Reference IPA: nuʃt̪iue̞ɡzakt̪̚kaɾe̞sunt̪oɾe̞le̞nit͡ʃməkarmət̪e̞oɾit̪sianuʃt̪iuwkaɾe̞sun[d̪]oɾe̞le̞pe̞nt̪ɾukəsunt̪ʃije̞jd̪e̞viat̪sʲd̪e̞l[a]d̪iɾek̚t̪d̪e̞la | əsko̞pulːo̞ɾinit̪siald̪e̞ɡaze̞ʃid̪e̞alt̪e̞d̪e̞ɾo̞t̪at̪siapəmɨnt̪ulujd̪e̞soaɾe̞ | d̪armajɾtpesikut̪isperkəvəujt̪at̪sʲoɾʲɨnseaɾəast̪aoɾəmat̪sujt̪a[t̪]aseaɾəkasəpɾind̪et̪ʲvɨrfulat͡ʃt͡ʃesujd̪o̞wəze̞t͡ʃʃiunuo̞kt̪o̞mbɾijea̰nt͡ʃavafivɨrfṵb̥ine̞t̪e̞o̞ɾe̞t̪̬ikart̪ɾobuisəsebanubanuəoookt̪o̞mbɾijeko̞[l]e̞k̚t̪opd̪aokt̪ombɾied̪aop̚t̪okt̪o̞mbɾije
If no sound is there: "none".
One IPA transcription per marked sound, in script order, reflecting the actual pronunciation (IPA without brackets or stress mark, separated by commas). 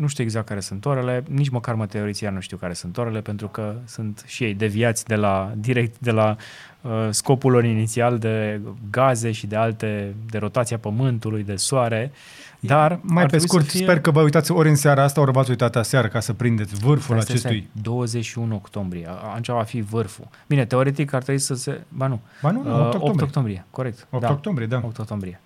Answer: t̪, a, t̪, ɾ